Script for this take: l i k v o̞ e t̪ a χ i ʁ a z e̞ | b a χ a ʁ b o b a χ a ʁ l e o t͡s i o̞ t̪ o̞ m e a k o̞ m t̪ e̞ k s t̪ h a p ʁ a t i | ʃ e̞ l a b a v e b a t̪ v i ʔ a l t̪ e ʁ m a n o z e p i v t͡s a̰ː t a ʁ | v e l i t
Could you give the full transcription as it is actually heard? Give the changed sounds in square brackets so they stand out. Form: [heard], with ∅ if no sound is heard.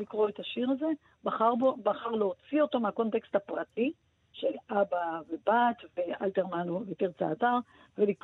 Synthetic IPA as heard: l i k [ʁ] o̞ e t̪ a [ʃ] i ʁ a z e̞ | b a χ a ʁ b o b a χ a ʁ l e o t͡s i o̞ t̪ o̞ m e a k o̞ [n] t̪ e̞ k s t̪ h a p ʁ a t i | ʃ e̞ l a b a v e b a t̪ v [e] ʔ a l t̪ e ʁ m a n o [v] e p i [ʁ] t͡s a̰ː t a ʁ | v e l i [k]